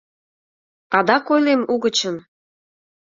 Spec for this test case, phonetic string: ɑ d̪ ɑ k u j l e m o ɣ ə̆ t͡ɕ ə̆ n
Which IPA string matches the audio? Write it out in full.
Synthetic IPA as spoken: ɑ d̪ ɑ k o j l e m u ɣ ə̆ t͡ɕ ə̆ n